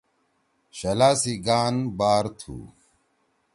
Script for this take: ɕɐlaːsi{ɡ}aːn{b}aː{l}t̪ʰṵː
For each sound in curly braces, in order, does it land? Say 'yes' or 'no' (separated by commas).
yes, yes, no